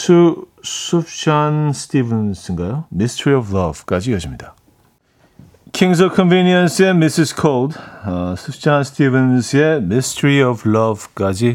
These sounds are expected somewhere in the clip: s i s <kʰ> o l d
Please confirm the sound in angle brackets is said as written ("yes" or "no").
yes